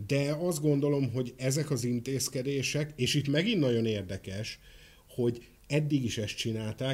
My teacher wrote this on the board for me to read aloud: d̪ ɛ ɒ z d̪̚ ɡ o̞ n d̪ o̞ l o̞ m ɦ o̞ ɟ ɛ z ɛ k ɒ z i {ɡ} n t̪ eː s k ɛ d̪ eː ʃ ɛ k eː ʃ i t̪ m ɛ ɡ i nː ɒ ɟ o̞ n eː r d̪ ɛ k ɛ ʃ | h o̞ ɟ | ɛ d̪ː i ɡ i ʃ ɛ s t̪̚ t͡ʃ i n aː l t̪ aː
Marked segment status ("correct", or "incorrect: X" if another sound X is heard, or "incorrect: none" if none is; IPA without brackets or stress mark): incorrect: none